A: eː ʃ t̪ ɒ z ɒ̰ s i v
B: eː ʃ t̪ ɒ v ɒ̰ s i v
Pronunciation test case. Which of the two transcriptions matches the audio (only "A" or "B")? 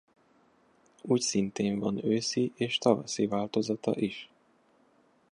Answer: B